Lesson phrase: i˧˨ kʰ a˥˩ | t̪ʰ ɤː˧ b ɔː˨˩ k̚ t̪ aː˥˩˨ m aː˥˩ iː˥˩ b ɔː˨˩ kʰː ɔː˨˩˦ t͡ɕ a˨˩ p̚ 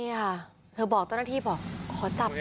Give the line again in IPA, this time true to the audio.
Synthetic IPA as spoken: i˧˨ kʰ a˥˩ | t̪ʰ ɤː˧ b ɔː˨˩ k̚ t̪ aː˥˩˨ n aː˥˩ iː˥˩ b ɔː˨˩ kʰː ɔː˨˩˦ t͡ɕ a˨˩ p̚